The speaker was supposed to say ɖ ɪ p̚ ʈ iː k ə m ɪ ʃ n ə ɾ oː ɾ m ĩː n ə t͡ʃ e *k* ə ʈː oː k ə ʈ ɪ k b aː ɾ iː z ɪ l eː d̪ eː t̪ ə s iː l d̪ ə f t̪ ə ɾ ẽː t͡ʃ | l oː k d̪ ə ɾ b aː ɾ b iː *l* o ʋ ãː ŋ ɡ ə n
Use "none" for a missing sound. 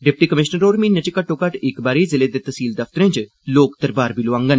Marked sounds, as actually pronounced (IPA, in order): k, l

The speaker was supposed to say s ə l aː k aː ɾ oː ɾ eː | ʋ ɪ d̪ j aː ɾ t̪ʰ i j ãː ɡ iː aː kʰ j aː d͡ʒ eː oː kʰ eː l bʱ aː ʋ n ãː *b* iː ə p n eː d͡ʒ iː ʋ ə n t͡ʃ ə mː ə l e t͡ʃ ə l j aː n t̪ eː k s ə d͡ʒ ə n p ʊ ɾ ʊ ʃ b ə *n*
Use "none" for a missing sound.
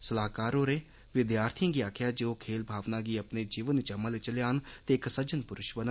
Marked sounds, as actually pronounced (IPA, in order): ɡ, n

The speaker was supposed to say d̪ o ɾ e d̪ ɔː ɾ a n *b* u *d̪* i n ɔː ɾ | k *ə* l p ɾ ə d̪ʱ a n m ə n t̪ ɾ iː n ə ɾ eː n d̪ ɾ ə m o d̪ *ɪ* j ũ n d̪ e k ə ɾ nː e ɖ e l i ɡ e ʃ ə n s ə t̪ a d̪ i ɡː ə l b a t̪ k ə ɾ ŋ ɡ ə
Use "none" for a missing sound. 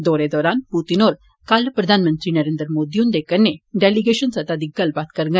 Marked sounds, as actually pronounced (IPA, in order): p, t̪, a, i

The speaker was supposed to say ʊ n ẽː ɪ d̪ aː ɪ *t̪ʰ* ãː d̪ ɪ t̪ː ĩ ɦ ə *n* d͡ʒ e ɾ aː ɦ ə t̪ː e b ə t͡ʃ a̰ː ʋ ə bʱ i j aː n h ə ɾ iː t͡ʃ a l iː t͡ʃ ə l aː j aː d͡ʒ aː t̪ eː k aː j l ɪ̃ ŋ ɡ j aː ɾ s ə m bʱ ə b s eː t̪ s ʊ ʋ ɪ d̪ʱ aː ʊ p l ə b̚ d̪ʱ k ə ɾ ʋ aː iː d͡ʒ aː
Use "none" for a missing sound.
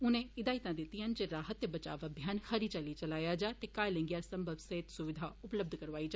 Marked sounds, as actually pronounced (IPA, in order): t̪, n

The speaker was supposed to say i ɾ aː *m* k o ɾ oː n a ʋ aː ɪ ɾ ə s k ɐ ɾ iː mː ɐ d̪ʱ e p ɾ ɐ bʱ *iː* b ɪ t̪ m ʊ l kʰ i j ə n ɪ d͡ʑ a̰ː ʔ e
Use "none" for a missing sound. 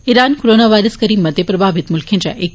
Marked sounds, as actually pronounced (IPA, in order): n, aː

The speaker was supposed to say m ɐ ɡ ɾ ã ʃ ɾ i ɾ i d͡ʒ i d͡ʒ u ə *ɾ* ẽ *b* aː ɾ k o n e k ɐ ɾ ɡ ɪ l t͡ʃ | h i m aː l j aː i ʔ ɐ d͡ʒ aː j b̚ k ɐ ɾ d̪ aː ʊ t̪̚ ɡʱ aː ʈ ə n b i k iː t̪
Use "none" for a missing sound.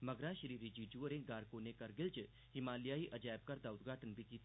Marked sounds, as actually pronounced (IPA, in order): ɾ, ɡ

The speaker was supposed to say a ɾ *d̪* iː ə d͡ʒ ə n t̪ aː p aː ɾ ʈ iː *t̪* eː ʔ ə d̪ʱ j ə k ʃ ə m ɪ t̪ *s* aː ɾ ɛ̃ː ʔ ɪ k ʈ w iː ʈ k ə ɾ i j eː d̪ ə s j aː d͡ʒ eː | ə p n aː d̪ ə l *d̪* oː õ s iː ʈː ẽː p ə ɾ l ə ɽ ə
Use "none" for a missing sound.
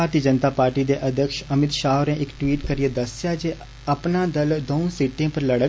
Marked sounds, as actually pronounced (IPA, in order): t̪, d̪, ʃ, d̪

